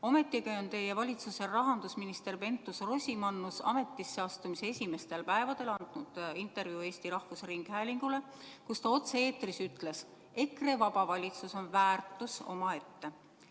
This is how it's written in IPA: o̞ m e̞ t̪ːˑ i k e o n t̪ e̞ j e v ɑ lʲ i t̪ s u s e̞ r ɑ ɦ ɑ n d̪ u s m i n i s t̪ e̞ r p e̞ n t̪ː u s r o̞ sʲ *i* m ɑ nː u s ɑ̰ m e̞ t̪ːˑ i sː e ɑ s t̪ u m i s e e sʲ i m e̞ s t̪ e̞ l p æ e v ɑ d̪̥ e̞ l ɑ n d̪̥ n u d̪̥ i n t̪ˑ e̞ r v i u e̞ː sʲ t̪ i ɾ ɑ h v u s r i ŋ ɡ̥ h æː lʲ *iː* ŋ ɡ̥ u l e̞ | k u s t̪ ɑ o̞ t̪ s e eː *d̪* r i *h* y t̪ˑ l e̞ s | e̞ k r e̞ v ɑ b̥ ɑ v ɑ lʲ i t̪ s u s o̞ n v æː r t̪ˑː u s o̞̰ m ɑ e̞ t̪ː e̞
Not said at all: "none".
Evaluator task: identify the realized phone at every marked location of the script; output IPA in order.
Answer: i, i, t̪, s

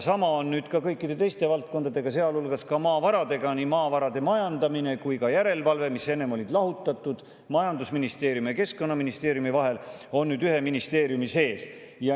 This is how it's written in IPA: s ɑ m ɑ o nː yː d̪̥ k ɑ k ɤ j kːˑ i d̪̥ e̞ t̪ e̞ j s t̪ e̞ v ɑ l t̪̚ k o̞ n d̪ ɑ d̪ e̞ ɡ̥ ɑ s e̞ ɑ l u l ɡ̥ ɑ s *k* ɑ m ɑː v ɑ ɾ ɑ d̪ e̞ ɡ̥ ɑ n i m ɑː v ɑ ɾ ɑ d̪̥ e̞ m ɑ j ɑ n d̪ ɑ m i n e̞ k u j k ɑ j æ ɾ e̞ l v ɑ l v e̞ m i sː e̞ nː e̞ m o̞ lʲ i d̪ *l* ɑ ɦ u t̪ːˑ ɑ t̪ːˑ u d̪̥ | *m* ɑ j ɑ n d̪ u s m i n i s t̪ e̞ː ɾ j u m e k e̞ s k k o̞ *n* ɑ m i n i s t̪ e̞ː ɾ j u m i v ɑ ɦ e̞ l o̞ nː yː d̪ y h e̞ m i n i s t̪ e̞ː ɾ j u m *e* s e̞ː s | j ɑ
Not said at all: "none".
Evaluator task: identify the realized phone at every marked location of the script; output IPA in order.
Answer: k, l, m, nː, i

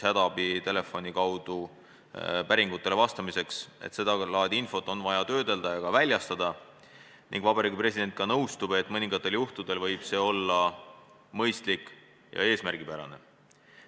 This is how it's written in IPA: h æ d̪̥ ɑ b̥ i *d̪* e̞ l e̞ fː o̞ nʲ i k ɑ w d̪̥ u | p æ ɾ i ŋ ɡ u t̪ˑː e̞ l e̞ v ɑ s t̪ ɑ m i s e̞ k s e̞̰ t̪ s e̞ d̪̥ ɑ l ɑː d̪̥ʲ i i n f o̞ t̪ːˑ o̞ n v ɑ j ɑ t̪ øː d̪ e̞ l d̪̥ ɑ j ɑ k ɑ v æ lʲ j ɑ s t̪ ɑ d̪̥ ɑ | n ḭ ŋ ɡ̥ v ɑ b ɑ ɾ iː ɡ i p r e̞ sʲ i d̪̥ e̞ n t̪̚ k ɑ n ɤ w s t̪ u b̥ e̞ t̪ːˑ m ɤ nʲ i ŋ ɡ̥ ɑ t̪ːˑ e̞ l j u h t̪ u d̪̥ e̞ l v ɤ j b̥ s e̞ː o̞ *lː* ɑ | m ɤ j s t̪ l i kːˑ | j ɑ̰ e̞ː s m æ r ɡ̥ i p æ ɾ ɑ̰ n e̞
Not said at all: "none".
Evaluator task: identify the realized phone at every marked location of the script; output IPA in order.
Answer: t̪, lː

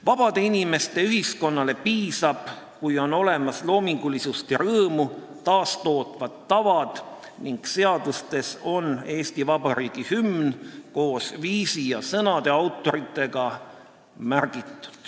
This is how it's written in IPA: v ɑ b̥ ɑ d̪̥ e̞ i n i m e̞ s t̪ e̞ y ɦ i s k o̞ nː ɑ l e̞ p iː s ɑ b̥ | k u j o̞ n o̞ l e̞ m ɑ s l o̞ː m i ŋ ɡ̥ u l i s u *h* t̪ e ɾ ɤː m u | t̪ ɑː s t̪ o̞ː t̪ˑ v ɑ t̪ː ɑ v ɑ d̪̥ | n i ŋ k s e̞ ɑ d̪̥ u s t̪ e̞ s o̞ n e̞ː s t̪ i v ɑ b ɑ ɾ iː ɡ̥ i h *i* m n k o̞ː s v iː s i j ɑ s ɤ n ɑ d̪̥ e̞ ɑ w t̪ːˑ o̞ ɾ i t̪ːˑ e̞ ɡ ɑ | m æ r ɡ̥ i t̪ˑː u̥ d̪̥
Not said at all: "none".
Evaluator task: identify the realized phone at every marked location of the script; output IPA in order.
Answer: s, y

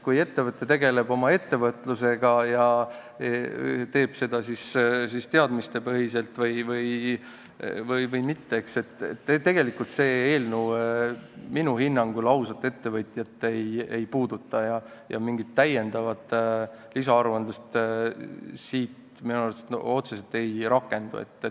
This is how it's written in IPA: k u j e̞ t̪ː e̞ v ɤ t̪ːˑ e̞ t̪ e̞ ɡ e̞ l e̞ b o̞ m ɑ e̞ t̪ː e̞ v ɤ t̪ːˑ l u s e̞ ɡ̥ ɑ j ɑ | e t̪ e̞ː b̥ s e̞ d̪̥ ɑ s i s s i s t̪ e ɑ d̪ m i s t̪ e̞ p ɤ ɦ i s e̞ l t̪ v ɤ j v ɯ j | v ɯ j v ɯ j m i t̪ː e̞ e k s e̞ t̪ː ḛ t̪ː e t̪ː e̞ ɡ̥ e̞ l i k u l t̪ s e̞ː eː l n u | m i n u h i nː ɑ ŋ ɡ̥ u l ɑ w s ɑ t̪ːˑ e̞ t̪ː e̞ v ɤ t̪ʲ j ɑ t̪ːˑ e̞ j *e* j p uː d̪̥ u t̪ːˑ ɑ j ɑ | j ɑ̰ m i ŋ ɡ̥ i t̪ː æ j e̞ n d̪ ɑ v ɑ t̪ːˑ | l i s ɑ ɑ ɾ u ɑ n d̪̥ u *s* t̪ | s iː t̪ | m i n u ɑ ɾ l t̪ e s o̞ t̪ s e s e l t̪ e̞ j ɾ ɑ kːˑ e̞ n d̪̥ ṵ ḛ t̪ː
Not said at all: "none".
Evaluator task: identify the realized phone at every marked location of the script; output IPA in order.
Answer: e, s

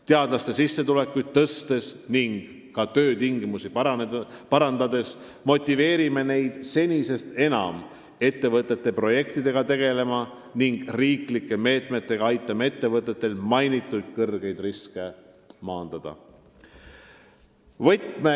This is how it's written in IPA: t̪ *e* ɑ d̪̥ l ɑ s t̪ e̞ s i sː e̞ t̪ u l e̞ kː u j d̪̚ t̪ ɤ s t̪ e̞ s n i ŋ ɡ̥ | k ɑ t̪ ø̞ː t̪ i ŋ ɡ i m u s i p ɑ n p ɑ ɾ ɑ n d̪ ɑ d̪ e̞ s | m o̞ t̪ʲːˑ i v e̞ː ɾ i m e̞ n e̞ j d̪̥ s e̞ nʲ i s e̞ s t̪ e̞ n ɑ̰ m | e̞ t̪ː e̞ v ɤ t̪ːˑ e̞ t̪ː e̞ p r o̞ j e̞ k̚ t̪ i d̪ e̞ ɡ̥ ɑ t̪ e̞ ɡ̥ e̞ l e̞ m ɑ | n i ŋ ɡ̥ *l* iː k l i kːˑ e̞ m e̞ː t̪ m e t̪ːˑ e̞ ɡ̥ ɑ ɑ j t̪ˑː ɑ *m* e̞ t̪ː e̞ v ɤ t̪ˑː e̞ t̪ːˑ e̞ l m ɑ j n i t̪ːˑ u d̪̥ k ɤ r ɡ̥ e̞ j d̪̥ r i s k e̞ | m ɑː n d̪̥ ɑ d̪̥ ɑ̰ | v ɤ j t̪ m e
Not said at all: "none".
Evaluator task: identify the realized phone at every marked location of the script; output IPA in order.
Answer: e, r, m

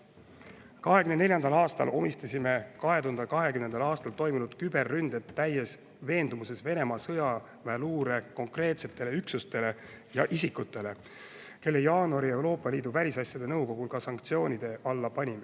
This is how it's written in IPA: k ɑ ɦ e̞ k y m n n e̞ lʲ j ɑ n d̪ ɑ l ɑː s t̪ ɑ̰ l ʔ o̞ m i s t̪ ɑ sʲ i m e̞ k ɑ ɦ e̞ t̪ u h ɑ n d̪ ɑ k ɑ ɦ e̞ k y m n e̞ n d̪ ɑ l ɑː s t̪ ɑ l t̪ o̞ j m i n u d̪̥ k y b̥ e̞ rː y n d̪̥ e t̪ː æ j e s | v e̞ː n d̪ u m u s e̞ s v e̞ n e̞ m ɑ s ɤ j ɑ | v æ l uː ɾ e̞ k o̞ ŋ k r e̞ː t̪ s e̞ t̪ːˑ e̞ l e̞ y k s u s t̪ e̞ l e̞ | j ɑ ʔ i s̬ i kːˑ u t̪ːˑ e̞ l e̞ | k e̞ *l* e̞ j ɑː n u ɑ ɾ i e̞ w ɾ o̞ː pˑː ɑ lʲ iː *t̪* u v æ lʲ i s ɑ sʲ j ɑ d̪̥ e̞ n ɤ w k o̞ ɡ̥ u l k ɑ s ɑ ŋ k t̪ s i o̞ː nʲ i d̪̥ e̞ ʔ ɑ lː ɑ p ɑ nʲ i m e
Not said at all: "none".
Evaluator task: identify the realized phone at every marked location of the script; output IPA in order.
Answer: lː, d̪

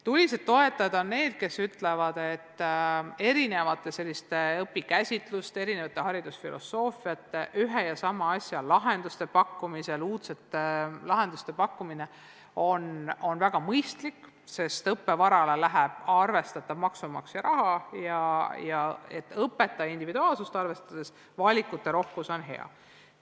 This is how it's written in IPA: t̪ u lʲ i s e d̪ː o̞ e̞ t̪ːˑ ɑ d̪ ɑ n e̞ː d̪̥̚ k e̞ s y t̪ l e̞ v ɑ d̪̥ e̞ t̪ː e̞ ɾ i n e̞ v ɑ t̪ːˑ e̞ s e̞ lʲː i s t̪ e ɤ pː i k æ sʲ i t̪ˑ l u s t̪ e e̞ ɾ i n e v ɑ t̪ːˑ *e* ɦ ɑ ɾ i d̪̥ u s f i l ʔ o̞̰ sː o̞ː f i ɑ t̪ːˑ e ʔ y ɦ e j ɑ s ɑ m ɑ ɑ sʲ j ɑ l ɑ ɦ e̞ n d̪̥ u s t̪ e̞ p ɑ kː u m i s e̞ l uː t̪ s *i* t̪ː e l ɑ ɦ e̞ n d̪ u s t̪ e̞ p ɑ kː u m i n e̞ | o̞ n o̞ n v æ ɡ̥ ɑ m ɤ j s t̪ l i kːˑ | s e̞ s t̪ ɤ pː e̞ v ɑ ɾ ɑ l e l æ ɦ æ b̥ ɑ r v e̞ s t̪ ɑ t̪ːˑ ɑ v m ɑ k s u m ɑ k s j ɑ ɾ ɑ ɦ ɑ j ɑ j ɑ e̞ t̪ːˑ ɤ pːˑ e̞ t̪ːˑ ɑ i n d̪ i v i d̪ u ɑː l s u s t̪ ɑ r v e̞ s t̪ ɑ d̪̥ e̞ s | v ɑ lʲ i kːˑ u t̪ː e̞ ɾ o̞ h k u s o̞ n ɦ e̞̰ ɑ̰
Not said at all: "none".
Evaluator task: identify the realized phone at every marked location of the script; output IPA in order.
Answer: e, e

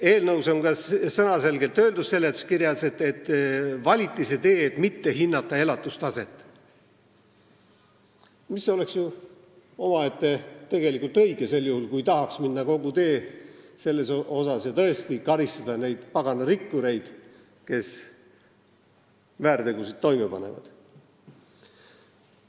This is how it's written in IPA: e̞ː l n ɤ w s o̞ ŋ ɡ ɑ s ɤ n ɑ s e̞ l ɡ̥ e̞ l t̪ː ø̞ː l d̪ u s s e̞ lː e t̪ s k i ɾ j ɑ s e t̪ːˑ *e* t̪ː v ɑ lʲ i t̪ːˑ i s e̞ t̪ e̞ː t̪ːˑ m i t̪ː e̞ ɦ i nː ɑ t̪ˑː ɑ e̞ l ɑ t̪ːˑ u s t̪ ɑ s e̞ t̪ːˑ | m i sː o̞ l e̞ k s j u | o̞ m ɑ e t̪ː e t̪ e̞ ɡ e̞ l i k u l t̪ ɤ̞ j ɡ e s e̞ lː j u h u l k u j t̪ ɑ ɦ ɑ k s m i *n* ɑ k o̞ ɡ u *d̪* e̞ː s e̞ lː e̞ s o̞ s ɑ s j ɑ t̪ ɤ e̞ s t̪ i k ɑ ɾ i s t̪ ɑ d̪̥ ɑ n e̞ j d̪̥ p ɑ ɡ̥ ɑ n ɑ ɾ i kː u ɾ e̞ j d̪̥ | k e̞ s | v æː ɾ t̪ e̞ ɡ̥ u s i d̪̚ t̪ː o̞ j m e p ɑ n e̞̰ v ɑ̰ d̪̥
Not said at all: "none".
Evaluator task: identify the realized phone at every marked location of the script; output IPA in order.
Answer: e, nː, t̪

